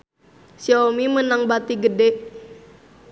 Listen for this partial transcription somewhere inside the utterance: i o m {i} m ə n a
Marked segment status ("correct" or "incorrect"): correct